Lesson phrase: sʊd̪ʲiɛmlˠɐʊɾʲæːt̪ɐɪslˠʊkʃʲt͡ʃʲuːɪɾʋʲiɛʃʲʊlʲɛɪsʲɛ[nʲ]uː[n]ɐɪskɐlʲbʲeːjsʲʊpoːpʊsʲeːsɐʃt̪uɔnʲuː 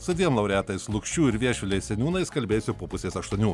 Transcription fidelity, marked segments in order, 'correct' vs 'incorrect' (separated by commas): correct, correct